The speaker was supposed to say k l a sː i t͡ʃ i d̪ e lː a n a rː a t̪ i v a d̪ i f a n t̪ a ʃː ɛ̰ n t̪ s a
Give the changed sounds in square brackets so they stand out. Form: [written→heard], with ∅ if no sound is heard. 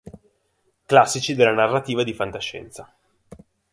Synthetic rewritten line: k l a sː i t͡ʃ i d̪ e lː a n a rː a t̪ [i→iː] v a d̪ i f a n t̪ a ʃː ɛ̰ n t̪ s a